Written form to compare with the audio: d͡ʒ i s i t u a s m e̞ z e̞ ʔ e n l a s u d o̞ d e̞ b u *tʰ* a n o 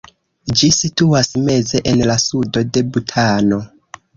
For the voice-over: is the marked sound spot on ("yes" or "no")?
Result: yes